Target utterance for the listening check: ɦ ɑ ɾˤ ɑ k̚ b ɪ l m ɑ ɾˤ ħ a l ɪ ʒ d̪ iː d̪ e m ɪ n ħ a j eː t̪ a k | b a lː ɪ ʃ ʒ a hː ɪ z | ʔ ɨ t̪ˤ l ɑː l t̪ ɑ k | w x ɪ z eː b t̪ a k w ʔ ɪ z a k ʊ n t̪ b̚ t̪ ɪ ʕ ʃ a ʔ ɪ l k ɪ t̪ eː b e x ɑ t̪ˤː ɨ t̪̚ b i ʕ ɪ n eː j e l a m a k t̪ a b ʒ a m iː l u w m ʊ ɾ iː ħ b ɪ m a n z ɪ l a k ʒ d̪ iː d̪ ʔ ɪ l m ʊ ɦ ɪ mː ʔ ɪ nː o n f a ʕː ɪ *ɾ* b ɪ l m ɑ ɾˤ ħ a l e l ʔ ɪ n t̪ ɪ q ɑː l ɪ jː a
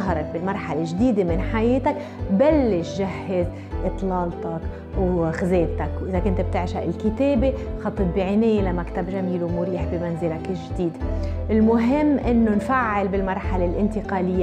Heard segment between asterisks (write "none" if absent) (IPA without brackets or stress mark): l